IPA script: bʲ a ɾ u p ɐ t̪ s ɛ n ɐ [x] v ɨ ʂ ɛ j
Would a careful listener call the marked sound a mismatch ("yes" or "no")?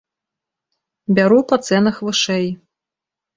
no